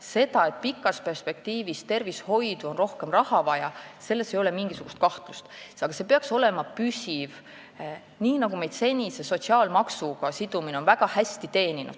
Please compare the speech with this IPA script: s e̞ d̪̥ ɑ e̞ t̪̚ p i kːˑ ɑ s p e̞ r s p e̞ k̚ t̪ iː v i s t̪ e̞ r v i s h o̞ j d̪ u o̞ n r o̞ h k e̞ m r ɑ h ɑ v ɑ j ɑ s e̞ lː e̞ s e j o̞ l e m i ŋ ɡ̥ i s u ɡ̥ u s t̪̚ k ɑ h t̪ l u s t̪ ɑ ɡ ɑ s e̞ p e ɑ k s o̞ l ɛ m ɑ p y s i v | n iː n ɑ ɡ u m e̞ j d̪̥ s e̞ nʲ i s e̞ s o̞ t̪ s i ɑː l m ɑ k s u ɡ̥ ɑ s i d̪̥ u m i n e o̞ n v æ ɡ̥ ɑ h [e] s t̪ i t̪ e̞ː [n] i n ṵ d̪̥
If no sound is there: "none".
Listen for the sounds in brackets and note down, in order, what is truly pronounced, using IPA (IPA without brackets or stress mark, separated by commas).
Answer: æ, n